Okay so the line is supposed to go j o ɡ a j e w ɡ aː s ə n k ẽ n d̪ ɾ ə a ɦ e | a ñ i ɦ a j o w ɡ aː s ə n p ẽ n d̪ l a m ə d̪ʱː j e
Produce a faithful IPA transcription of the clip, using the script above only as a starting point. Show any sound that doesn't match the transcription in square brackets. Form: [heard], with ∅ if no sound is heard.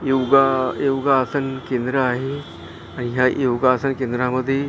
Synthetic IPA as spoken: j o ɡ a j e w ɡ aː s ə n k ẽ n d̪ ɾ ə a ɦ e | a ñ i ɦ a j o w ɡ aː s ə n [k] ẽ n d̪ [ɾ] a m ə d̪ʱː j e